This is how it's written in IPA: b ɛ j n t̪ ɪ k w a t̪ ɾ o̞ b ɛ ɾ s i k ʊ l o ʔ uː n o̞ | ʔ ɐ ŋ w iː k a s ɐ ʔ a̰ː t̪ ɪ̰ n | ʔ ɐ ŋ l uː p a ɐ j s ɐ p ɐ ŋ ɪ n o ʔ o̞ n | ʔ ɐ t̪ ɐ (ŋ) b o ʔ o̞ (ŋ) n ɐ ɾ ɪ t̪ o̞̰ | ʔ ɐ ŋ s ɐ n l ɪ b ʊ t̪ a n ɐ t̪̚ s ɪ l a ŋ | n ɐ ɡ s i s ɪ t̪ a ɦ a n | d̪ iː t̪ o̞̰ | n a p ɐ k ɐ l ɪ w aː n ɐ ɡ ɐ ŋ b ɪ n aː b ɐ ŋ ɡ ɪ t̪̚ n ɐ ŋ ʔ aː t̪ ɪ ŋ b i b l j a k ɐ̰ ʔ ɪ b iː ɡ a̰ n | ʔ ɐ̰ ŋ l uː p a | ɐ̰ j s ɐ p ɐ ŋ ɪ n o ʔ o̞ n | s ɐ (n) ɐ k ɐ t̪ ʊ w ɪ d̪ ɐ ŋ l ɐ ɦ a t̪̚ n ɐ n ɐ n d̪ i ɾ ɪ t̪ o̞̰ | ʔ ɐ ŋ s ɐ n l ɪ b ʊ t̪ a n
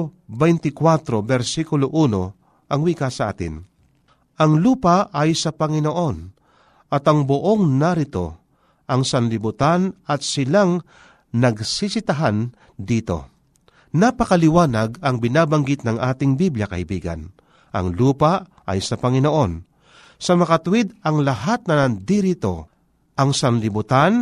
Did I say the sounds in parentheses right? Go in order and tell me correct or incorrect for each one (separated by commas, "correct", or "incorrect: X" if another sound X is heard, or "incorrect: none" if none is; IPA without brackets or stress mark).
correct, correct, incorrect: m